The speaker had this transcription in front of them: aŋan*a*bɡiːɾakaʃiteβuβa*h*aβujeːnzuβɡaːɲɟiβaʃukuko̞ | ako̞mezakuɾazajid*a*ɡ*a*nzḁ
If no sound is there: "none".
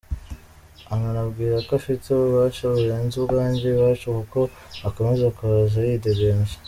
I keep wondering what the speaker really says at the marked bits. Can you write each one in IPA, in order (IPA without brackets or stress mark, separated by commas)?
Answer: a, ʃ, e, e